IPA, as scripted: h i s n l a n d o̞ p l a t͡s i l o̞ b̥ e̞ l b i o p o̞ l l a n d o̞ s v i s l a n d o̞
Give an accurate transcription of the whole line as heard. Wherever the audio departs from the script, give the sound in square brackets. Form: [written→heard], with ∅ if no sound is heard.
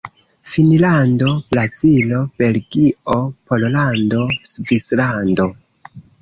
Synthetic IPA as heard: [h→f] i [s→∅] n l a n d o̞ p l a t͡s i l o̞ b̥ e̞ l [b→ɡ] i o p o̞ l l a n d o̞ s v i s l a n d o̞